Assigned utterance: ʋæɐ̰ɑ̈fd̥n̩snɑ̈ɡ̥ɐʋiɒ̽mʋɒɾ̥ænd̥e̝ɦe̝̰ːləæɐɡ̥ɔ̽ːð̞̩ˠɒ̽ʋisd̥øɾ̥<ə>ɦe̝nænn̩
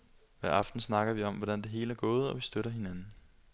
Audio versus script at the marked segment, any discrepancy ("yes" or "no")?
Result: yes